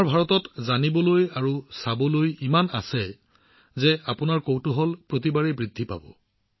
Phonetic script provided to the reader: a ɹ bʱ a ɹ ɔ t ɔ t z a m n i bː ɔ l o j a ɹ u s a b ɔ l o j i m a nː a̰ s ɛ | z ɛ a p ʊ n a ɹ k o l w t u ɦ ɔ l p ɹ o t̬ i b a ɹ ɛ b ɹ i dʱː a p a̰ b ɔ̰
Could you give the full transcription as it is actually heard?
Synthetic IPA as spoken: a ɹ bʱ a ɹ ɔ t ɔ t z a n i b ɔ l o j a ɹ u s a b ɔ l o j i m a n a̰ s ɛ | z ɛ a p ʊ n a ɹ k o w t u ɦ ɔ l p ɹ o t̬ i b a ɹ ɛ b ɹ i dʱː i p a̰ b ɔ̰

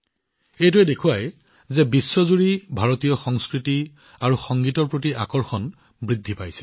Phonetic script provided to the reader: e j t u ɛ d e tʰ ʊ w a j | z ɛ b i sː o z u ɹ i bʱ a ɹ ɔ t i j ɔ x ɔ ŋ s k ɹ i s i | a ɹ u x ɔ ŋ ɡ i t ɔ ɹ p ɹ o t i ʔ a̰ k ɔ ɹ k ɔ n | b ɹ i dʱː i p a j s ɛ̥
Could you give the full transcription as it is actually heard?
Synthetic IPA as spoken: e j t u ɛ d e kʰ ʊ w a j | z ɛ b i sː ɔ z u ɹ i bʱ a ɹ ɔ t i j ɔ x ɔ ŋ s k ɹ i t i | a ɹ u x ɔ ŋ ɡ i t ɔ ɹ p ɹ o t i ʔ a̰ k ɔ ɹ x ɔ n | b ɹ i dʱː i p a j s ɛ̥

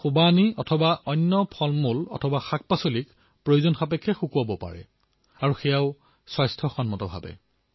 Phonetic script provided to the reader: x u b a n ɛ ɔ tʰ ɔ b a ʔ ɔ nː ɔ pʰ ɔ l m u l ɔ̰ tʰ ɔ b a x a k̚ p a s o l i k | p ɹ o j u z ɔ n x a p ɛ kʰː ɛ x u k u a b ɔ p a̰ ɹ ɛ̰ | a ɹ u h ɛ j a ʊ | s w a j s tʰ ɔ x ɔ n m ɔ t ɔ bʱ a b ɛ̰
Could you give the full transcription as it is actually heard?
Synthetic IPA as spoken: x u b a n i ɔ tʰ ɔ b a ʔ ɔ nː ɔ pʰ ɔ l m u l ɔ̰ tʰ ɔ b a x a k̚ p a s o l i k | p ɹ o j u z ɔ n x a p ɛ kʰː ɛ x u k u a b ɔ p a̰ ɹ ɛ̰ | a ɹ u x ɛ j a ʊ | s w a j s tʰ ɔ x ɔ n m ɔ t ɔ bʱ a b ɛ̰

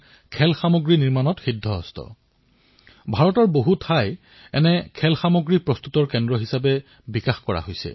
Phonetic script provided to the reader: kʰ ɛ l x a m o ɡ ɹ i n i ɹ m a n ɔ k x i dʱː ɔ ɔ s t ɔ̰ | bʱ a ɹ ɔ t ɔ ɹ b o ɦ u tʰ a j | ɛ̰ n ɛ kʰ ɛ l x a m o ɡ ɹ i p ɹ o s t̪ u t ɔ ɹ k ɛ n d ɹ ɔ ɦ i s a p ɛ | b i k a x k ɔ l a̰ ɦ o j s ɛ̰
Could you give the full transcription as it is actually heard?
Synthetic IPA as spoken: kʰ ɛ l x a m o ɡ ɹ i n i ɹ m a n ɔ t x i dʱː ɔ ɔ s t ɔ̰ | bʱ a ɹ ɔ t ɔ ɹ b o ɦ u tʰ a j | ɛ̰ n ɛ kʰ ɛ l x a m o ɡ ɹ i p ɹ ɔ s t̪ u t ɔ ɹ k ɛ n d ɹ ɔ ɦ i s a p ɛ | b i k a x k ɔ ɹ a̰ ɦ o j s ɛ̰

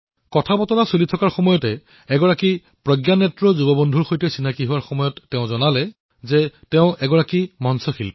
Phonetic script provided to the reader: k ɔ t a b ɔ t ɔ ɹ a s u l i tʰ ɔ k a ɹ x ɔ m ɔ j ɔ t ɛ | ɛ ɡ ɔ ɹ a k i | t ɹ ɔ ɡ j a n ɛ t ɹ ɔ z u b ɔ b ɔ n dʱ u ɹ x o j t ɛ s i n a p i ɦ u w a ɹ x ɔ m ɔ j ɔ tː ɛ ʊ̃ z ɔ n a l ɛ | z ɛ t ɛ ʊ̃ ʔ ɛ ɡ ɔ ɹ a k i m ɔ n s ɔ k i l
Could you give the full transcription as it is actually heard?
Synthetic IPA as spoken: k ɔ tʰ a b ɔ t ɔ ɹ a s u l i tʰ ɔ k a ɹ x ɔ m ɔ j ɔ t ɛ | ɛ ɡ ɔ ɹ a k i | p ɹ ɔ ɡ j a n ɛ t ɹ ɔ z u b ɔ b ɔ n dʱ u ɹ x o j t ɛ s i n a k i ɦ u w a ɹ x ɔ m ɔ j ɔ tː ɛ ʊ̃ z ɔ n a l ɛ | z ɛ t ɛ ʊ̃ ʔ ɛ ɡ ɔ ɹ a k i m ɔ n s ɔ x i l

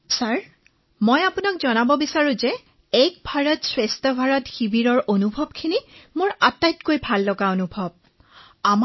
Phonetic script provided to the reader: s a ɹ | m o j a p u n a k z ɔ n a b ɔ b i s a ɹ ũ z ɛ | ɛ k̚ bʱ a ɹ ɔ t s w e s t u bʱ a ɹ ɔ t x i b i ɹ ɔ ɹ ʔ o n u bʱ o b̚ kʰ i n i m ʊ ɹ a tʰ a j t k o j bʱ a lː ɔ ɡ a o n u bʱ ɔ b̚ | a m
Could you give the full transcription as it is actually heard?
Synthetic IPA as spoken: s a ɹ | m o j a p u n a k z ɔ n a b ɔ b i s a ɹ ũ z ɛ | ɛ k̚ bʱ a ɹ ɔ t s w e s t ɔ bʱ a ɹ ɔ t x i b i ɹ ɔ ɹ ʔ o n u bʱ ɔ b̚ kʰ i n i m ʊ ɹ a t a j t k o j bʱ a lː ɔ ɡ a o n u bʱ ɔ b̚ | a m

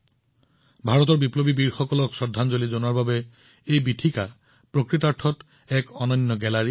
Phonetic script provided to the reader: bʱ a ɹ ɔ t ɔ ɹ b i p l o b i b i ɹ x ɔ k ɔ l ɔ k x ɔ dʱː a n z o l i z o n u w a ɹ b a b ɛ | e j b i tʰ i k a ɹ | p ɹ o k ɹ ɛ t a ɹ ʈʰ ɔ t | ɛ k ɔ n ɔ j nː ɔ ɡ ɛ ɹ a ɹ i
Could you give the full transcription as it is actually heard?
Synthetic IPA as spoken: bʱ a ɹ ɔ t ɔ ɹ b i p l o b i b i ɹ x ɔ k ɔ l ɔ k s ɔ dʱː a n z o l i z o n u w a ɹ b a b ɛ | e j b i tʰ i k a | p ɹ o k ɹ i t a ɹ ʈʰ ɔ t | ɛ k ɔ n ɔ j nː ɔ ɡ ɛ l a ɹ i

